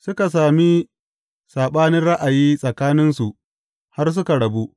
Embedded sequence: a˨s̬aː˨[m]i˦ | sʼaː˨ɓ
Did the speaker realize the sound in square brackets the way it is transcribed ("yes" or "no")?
yes